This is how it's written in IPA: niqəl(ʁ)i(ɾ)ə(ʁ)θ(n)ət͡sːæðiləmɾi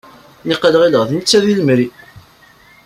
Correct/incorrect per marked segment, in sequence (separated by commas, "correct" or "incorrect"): correct, incorrect, correct, correct